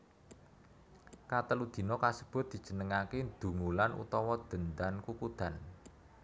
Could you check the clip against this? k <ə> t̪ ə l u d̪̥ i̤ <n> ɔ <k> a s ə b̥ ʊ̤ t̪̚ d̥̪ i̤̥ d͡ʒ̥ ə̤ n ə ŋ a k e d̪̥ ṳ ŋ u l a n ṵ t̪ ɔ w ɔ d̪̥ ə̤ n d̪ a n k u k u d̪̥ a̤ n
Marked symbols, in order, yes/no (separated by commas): no, yes, yes